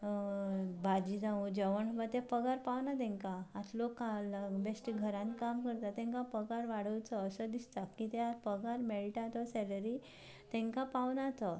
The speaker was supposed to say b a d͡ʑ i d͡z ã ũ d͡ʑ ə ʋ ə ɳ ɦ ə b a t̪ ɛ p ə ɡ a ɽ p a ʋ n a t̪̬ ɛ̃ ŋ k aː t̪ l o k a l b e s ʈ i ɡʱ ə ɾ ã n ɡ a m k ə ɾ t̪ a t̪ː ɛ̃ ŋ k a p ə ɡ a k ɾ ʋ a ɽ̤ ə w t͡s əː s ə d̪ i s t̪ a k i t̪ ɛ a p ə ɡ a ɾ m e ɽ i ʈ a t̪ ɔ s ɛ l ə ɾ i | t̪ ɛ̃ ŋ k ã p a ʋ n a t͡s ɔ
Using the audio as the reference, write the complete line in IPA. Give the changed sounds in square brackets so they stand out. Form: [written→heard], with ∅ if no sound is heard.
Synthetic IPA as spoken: b a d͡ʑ i d͡z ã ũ d͡ʑ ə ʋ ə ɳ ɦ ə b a t̪ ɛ p ə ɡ a [ɽ→ɾ] p a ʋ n a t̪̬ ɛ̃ ŋ k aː t̪ l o k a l b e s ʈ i ɡʱ ə ɾ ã n [ɡ→k] a m k ə ɾ t̪ a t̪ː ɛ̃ ŋ k a p ə ɡ a [k→∅] ɾ ʋ a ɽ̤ ə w t͡s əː s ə d̪ i s t̪ a k i t̪ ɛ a p ə ɡ a ɾ m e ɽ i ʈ a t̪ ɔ s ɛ l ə ɾ i | t̪ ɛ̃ ŋ k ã p a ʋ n a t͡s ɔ